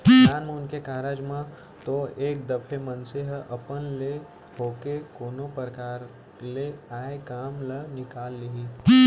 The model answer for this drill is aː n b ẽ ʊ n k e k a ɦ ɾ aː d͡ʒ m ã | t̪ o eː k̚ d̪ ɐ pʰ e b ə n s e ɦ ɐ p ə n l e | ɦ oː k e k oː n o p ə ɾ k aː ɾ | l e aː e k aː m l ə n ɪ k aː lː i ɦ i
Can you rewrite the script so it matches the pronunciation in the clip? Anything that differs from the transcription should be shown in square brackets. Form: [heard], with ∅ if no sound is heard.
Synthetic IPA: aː n [m] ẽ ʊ n k e k a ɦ ɾ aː d͡ʒ m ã | t̪ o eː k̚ d̪ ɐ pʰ e [m] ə n s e ɦ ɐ p ə n l e | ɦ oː k e k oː n o p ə ɾ k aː ɾ | l e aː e k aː m l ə n ɪ k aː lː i ɦ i

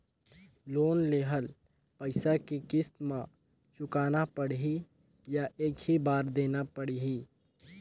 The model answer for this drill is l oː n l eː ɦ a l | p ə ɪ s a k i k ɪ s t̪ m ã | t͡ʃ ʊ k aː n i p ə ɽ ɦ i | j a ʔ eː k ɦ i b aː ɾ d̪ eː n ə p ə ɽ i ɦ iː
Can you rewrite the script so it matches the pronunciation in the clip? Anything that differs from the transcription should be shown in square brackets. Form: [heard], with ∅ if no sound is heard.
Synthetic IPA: l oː n l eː ɦ [ə] l | p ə ɪ s a k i k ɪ s t̪ m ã | t͡ʃ ʊ k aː n [a] p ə ɽ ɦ i | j a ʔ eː k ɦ i b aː ɾ d̪ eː n [a] p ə ɽ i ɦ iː

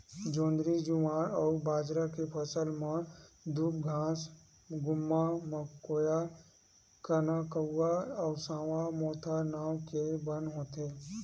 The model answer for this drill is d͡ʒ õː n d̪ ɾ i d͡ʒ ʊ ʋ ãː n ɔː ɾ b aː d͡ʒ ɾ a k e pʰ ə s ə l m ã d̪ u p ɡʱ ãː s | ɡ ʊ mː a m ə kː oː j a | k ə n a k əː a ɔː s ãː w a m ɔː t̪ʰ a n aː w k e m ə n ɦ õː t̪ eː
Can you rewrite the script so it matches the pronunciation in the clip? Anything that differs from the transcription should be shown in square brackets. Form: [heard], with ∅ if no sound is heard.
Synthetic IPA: d͡ʒ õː n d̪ ɾ i d͡ʒ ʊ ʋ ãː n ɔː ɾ b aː d͡ʒ ɾ a k e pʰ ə s ə l m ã d̪ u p ɡʱ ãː s | ɡ ʊ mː a m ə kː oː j a | k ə n a k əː a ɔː s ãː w a m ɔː t̪ʰ a n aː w k e [b] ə n ɦ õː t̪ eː

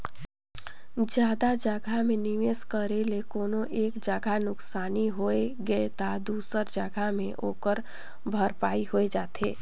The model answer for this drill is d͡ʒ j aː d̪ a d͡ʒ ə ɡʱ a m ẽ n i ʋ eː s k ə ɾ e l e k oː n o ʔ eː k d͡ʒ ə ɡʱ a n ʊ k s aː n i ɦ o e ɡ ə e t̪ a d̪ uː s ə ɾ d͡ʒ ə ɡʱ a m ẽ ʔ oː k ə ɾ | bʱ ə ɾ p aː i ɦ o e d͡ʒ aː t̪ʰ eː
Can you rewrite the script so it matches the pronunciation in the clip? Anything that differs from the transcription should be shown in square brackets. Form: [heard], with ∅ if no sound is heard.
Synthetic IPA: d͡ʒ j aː d̪ a d͡ʒ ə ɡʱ a m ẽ n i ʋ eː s k ə ɾ e l e k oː n o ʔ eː k d͡ʒ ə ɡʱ a n ʊ k s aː n i ɦ o e ɡ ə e t̪ a d̪ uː s ə ɾ d͡ʒ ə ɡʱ a m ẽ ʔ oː k ə ɾ | bʱ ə ɾ p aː i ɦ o e d͡ʒ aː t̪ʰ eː

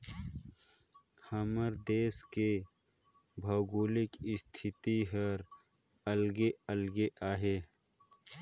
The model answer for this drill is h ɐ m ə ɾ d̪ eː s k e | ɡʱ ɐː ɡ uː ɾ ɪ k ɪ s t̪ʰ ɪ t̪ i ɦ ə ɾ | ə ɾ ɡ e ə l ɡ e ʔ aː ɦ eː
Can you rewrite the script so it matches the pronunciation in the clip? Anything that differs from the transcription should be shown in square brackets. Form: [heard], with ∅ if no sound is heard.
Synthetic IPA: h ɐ m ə ɾ d̪ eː s k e | [bʱ] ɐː ɡ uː [l] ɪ k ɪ s t̪ʰ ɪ t̪ i ɦ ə ɾ | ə [l] ɡ e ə l ɡ e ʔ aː ɦ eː

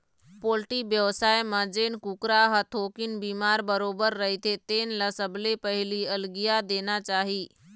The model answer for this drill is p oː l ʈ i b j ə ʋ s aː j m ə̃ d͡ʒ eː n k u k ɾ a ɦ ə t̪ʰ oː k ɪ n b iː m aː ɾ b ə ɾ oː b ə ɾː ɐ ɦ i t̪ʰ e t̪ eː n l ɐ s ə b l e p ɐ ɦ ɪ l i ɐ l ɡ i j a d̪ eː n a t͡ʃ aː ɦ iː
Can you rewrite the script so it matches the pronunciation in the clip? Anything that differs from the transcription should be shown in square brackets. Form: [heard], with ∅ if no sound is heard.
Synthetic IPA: p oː l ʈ i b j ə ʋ s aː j m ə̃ d͡ʒ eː n k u k ɾ a ɦ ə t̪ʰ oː k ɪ n b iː m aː ɾ b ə ɾ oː b ə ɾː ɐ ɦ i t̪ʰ e t̪ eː n l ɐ s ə b l e p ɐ ɦ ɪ l i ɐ l ɡ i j a d̪ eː n a t͡ʃ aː ɦ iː

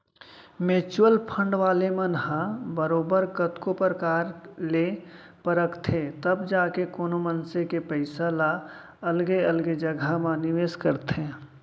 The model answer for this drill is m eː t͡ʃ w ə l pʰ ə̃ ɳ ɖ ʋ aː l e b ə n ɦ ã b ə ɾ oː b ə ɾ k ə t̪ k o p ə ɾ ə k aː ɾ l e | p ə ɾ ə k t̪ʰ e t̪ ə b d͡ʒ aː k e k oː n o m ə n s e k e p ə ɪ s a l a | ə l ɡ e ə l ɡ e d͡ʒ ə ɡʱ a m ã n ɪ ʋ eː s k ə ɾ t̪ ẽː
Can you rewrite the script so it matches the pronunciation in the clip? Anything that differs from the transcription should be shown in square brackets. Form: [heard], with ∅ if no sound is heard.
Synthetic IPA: m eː t͡ʃ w ə l pʰ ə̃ ɳ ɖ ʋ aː l e [m] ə n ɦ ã b ə ɾ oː b ə ɾ k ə t̪ k o p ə ɾ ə k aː ɾ l e | p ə ɾ ə k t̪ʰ e t̪ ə b d͡ʒ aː k e k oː n o m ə n s e k e p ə ɪ s a l a | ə l ɡ e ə l ɡ e d͡ʒ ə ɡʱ a m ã n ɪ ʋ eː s k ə ɾ t̪ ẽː

